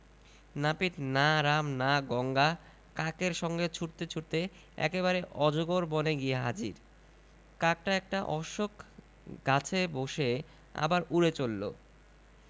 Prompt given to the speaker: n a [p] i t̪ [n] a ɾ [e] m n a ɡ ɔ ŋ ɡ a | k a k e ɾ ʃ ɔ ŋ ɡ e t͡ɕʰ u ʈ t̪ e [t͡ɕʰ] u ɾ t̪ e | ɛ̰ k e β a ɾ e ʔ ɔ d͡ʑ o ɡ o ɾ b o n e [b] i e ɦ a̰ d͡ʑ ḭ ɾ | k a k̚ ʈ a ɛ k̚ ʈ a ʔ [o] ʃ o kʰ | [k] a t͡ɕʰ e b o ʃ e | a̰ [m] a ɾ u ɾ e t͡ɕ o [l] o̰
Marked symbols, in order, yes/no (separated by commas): yes, yes, no, yes, no, no, no, no, no